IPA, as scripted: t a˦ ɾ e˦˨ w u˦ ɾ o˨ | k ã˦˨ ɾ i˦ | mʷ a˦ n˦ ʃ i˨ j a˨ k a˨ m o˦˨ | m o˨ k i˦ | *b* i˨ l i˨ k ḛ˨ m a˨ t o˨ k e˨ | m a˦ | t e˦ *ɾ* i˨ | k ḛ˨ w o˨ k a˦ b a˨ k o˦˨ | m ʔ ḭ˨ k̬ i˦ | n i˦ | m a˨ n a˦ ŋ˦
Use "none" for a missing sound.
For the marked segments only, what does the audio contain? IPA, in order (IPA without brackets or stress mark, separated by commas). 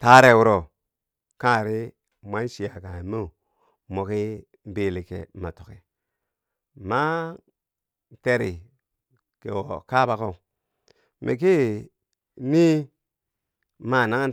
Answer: b, ɾ